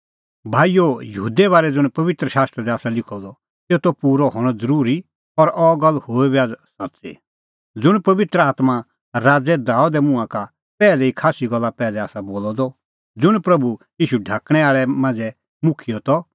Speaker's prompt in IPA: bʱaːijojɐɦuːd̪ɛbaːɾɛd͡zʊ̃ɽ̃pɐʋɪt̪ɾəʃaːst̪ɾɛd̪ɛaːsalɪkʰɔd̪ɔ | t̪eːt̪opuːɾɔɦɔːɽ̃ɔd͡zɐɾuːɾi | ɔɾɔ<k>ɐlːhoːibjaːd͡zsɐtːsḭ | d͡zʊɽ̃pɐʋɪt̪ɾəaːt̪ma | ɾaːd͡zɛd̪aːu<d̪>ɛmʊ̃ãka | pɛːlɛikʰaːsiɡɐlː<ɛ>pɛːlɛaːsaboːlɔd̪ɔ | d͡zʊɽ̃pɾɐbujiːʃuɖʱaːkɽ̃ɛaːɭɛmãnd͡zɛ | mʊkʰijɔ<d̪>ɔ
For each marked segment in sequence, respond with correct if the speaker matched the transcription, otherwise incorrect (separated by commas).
incorrect, correct, incorrect, incorrect